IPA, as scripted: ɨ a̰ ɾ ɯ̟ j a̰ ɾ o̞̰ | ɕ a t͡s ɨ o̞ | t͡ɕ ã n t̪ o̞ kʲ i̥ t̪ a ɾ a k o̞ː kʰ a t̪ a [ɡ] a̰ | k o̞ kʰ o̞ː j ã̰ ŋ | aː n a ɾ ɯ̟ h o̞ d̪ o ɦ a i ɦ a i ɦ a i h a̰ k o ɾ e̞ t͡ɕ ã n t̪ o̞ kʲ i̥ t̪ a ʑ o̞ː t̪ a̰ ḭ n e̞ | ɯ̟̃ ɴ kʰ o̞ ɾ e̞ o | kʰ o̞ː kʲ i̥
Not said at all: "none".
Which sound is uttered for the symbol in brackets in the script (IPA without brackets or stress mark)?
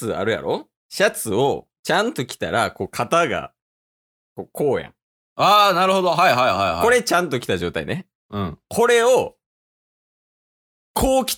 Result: ɡ